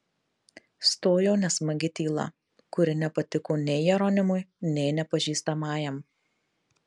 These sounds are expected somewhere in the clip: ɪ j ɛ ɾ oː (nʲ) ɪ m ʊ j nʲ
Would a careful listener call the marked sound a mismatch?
no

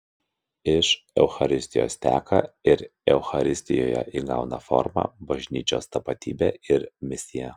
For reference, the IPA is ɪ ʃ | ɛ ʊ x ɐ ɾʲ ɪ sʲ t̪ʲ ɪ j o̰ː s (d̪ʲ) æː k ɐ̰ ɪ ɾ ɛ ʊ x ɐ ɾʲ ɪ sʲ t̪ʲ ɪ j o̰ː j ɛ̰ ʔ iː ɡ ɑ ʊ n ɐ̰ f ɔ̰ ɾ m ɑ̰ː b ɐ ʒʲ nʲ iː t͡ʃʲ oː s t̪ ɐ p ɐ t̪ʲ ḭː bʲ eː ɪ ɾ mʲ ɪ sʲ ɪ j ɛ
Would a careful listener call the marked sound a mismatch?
yes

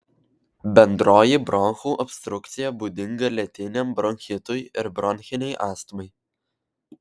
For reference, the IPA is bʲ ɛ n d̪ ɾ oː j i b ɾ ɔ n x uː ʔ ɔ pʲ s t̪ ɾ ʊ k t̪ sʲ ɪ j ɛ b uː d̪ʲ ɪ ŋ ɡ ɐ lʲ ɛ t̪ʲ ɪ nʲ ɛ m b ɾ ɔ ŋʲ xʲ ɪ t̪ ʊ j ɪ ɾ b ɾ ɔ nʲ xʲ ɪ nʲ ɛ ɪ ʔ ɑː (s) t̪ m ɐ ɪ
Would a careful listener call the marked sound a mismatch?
no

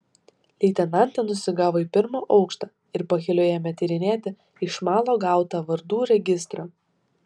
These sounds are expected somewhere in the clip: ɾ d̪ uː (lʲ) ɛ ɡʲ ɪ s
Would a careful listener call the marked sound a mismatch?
yes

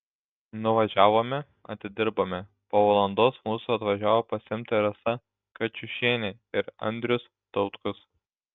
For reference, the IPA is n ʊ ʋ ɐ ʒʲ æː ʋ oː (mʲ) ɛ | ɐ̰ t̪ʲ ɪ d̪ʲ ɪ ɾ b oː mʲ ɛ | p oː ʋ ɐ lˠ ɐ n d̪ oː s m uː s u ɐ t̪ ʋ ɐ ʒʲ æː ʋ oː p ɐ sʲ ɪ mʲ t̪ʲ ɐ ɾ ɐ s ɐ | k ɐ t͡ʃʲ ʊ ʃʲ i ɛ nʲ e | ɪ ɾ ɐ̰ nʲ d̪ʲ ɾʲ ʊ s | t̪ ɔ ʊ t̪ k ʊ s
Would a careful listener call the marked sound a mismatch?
no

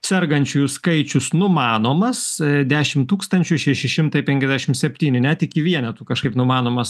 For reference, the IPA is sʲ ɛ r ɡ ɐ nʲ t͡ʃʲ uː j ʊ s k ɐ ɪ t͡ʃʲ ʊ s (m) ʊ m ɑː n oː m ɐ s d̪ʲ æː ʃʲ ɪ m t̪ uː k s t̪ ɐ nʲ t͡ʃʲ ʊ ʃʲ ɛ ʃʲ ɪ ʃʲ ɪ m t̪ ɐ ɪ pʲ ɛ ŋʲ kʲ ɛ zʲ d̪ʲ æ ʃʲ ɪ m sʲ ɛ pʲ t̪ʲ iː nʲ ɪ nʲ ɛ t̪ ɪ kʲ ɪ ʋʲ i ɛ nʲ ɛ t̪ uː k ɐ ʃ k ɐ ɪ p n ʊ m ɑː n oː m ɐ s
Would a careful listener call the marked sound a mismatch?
yes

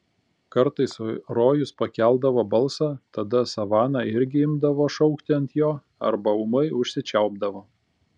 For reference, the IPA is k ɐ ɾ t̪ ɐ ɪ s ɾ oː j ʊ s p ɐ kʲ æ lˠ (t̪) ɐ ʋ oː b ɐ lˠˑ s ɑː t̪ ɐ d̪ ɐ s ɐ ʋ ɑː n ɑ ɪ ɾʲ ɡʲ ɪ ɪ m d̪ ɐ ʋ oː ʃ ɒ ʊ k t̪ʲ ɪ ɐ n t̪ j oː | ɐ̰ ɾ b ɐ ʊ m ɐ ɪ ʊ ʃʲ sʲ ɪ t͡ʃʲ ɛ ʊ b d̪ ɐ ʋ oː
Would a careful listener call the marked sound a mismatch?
yes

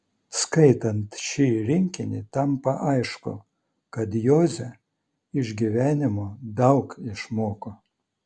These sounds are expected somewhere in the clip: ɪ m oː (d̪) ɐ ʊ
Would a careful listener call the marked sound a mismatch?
no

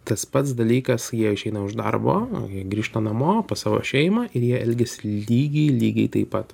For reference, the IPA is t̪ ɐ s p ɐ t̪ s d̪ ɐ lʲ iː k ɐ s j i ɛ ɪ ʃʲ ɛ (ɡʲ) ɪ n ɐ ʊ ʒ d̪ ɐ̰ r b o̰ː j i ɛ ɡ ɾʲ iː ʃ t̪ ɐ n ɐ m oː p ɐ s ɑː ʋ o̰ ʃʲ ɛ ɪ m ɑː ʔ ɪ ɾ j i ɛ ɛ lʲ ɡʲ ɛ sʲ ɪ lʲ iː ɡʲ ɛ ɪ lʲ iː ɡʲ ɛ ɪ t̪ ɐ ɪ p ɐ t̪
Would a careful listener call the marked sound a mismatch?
yes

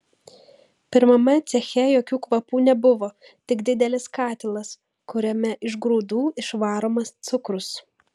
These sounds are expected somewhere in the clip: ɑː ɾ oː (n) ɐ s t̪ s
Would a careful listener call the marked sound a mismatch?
yes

